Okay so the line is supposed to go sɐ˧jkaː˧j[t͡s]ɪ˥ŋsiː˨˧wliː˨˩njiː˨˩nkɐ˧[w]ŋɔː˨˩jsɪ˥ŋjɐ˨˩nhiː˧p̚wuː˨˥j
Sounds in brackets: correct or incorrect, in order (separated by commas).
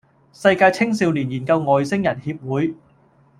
incorrect, correct